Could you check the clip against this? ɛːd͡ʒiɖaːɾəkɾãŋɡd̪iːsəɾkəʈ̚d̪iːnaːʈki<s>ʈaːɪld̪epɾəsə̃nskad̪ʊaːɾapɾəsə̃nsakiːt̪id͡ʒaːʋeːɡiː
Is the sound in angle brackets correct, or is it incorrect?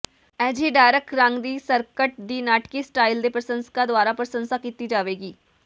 correct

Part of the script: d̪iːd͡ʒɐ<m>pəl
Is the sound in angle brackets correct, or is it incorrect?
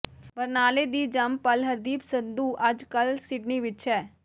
correct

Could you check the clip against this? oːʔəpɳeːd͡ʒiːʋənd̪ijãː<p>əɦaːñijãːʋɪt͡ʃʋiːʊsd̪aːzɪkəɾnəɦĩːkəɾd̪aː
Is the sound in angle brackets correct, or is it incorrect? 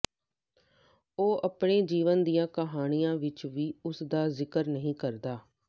incorrect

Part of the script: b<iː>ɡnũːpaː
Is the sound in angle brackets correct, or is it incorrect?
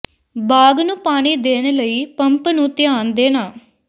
incorrect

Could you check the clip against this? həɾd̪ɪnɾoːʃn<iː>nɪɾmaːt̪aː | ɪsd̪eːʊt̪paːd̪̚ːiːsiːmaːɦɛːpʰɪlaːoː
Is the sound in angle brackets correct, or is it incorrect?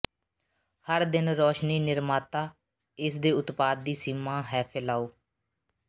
correct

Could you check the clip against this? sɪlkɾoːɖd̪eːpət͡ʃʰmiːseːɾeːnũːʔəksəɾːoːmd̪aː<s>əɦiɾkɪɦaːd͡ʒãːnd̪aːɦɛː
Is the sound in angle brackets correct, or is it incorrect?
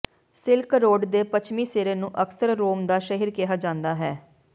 incorrect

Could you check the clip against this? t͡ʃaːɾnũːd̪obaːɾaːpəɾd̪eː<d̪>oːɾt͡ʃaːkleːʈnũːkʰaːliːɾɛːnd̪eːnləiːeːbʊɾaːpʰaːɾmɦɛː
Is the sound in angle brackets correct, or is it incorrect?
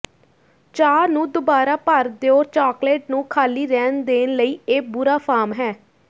incorrect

